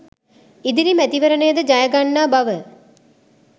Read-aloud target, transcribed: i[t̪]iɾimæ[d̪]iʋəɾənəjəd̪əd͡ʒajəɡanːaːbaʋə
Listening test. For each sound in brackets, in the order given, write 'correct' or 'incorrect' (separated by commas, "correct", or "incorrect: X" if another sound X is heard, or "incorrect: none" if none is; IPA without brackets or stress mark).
incorrect: d̪, incorrect: t̪